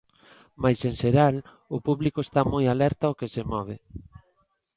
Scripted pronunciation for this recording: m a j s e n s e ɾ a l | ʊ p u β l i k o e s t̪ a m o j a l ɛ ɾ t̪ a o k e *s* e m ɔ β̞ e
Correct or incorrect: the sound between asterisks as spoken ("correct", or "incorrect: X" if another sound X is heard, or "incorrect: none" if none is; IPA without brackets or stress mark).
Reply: correct